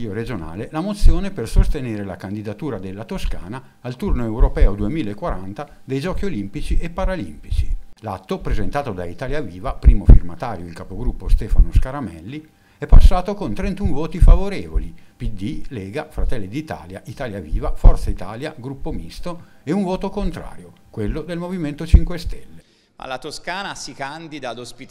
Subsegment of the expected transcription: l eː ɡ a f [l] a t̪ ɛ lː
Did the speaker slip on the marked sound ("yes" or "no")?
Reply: yes